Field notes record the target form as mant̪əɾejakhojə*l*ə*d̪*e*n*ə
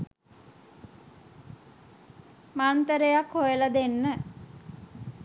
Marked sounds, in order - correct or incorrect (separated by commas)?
correct, correct, incorrect